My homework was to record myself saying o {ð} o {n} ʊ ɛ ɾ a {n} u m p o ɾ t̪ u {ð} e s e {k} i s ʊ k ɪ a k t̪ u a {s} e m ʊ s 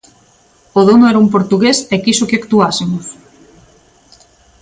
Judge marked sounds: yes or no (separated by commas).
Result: yes, yes, no, no, yes, yes